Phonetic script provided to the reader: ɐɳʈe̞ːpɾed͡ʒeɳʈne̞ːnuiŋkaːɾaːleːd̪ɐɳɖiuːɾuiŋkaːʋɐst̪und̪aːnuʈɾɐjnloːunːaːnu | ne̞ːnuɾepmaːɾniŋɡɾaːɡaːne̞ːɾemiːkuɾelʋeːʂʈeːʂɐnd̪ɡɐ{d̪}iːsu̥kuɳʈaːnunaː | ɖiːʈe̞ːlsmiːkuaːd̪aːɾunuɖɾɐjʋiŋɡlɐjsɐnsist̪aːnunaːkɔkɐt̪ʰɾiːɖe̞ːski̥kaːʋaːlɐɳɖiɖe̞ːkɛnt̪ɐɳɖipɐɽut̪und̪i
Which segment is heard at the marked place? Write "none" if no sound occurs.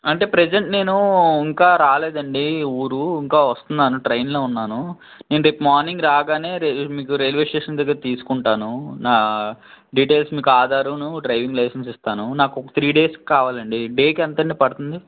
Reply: t̪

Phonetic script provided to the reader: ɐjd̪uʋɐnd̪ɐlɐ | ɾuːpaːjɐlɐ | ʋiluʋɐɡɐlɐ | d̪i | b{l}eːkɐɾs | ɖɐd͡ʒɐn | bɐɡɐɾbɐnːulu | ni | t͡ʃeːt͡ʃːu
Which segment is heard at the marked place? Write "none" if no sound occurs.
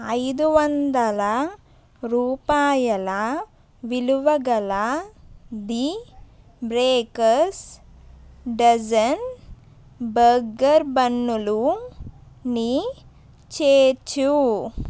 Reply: ɾ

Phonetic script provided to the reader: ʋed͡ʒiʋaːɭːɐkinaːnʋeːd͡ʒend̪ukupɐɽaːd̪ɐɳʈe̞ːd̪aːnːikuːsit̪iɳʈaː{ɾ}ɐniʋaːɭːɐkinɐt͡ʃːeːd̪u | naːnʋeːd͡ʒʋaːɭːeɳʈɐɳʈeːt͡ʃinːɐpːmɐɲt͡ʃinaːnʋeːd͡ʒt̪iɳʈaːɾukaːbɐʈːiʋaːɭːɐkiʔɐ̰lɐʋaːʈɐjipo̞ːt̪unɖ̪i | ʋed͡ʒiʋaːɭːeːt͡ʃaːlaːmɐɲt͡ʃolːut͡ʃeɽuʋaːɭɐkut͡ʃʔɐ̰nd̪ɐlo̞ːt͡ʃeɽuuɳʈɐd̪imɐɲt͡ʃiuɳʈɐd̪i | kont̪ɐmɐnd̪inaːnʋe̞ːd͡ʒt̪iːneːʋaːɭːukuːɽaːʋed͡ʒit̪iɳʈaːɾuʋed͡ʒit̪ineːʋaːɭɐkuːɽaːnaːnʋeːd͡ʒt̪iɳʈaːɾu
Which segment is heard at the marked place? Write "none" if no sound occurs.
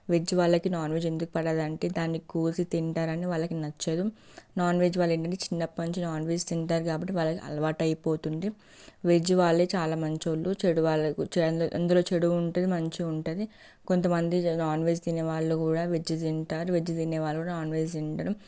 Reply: ɾ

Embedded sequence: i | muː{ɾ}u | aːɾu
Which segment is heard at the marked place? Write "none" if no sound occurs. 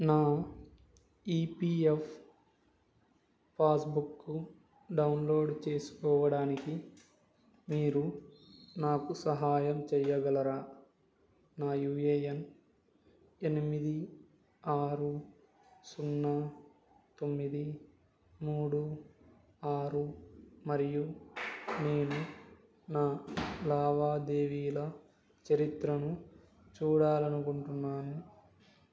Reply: ɽ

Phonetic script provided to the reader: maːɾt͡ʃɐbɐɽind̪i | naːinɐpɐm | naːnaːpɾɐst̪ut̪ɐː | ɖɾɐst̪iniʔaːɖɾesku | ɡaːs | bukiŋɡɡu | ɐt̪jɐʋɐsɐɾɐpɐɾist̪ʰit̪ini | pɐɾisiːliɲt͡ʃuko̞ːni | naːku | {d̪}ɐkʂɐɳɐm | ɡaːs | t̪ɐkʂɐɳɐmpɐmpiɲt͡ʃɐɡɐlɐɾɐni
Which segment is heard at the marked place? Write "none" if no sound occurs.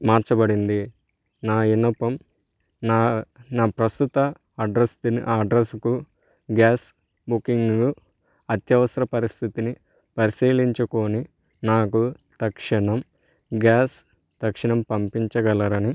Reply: t̪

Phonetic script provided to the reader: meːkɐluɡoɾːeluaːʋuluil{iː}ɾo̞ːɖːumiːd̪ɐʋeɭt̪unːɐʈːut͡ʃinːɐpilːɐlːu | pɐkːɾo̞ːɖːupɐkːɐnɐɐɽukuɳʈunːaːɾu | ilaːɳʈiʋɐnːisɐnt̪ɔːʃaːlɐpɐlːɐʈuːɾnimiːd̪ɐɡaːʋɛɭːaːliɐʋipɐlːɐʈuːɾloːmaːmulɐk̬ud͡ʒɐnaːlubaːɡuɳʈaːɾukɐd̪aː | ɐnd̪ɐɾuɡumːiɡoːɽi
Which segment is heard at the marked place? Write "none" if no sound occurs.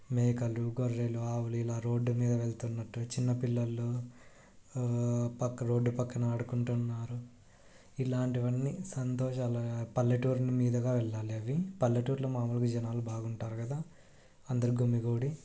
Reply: aː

